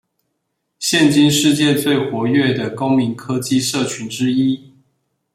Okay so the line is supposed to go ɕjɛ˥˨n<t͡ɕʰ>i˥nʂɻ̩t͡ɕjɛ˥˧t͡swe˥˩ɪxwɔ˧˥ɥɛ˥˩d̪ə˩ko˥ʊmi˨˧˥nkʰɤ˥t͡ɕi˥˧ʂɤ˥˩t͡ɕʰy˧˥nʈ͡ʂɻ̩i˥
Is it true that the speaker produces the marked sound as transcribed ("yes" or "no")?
no